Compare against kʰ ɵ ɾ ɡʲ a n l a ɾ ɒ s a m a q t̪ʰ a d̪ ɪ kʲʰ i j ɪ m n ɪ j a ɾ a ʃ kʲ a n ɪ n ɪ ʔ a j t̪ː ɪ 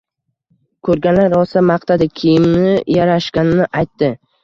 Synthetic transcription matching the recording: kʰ ɵ ɾ ɡʲ a n l a ɾ ɒ s a m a q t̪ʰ a d̪ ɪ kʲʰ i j ɪ m n ɪ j a ɾ a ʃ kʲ a n ɪ n ɪ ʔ a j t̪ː ɪ